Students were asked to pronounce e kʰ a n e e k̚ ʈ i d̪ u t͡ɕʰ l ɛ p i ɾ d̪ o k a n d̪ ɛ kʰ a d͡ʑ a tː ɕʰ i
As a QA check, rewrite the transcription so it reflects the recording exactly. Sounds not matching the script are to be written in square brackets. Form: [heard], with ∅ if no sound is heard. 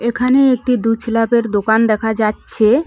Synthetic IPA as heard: e kʰ a n e e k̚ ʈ i d̪ u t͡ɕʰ l [a] p [e] ɾ d̪ o k a n d̪ ɛ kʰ a d͡ʑ a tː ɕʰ [e]